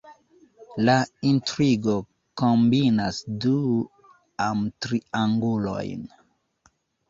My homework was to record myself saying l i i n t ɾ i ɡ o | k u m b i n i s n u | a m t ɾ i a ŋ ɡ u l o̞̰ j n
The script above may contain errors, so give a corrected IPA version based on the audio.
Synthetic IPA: l a i n t ɾ i ɡ o | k o m b i n a s d u | a m t ɾ i a ŋ ɡ u l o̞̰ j n